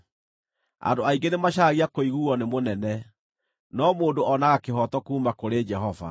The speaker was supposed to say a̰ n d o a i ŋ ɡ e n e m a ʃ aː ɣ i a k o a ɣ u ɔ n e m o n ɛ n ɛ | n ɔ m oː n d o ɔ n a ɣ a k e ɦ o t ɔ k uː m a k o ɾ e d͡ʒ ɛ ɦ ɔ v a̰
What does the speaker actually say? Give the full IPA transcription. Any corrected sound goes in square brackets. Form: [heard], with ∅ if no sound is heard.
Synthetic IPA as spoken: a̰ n d o a i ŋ ɡ e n e m a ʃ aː ɣ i a k o [i] ɣ u ɔ n e m o n ɛ n ɛ | n ɔ m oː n d o ɔ n a ɣ a k e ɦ [ɔ] t ɔ k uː m a k o ɾ e d͡ʒ ɛ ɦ ɔ v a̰